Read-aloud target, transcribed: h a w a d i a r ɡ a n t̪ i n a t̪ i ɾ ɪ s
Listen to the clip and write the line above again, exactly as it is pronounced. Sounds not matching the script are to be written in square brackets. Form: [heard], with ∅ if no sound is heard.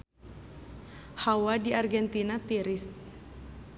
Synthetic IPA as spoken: h a w a d i a r ɡ [ɛ] n t̪ i n a t̪ i ɾ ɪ s